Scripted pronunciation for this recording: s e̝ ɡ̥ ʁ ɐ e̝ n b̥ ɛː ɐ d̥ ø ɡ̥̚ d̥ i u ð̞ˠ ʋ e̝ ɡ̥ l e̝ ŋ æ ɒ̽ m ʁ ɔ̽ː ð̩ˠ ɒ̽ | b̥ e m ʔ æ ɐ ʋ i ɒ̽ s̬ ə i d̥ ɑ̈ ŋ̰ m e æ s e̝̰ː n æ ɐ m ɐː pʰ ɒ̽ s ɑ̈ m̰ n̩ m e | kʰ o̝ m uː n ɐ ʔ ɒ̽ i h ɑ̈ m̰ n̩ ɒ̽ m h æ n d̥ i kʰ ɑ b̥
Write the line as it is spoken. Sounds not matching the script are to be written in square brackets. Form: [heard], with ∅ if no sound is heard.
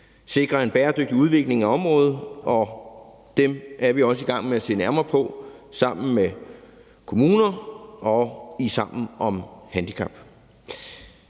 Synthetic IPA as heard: s e̝ ɡ̥ ʁ ɐ e̝ n b̥ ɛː ɐ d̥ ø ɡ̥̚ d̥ i u ð̞ˠ ʋ e̝ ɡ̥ l e̝ ŋ æ ɒ̽ m ʁ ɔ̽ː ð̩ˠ ɒ̽ | [d̥] e m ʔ æ ɐ ʋ i ɒ̽ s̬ ə i [ɡ̥] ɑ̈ ŋ̰ m e æ s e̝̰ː n æ ɐ m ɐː pʰ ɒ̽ s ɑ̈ m̰ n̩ m e | kʰ o̝ m uː n ɐ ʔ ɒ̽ i [s] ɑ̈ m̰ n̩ ɒ̽ m h æ n d̥ i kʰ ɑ b̥